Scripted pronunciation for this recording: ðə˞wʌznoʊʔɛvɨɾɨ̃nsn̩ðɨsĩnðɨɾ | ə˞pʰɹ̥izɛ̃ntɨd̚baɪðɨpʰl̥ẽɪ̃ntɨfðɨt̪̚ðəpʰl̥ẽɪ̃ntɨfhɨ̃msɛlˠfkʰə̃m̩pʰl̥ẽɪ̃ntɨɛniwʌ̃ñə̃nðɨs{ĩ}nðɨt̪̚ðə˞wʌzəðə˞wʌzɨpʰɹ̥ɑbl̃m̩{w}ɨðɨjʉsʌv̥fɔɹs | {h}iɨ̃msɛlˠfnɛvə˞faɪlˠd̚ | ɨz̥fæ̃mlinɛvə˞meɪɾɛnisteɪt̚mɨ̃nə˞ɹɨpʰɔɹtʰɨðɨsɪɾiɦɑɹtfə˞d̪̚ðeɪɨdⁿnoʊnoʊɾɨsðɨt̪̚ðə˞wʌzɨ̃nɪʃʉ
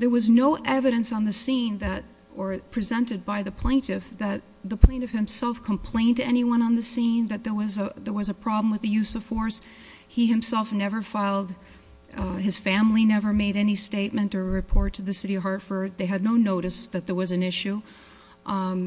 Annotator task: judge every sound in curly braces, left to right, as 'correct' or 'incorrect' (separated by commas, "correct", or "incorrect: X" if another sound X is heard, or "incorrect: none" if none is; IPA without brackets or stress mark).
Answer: correct, correct, correct